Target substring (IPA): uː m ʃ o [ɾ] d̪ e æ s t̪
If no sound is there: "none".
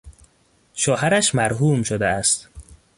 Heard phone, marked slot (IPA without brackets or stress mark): none